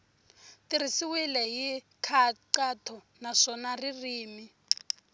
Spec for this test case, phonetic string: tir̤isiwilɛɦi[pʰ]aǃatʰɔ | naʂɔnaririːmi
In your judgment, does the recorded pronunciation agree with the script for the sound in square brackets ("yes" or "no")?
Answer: no